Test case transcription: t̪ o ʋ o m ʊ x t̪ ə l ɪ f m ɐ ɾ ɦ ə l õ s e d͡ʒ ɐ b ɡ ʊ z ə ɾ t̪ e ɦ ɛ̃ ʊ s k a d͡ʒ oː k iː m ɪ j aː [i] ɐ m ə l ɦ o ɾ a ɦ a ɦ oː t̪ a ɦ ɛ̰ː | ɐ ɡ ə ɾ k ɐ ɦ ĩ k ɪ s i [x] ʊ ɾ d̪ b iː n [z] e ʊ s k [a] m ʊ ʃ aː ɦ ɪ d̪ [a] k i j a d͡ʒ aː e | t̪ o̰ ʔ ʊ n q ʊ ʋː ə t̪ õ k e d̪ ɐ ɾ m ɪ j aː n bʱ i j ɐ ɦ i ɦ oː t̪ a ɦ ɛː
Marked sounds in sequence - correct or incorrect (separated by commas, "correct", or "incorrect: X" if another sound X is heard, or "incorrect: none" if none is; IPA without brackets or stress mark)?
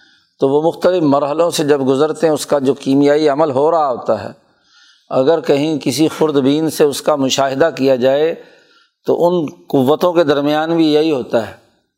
correct, correct, incorrect: s, correct, correct